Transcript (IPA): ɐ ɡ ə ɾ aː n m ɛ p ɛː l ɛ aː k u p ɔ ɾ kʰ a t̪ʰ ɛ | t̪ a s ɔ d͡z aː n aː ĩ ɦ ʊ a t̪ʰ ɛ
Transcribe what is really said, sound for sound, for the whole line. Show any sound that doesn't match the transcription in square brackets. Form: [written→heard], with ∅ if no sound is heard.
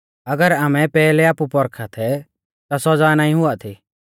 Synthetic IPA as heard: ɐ ɡ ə ɾ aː [n→∅] m ɛ p ɛː l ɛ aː [k→p] u p ɔ ɾ kʰ a t̪ʰ ɛ | t̪ a s ɔ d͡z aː n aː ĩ ɦ ʊ a t̪ʰ [ɛ→i]